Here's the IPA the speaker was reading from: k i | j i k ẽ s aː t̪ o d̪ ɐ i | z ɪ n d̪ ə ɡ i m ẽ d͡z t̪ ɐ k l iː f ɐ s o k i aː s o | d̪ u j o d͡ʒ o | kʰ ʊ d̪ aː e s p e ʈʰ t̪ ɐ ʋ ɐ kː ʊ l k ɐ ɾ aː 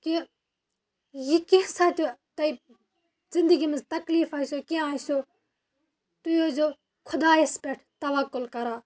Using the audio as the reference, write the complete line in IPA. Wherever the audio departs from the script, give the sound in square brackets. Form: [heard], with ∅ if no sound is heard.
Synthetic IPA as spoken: k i | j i k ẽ s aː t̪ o [t̪] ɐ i | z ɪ n d̪ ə ɡ i m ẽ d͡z t̪ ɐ k l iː f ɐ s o k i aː s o | [t̪] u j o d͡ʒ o | kʰ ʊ d̪ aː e s p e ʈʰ t̪ ɐ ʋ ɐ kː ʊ l k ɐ ɾ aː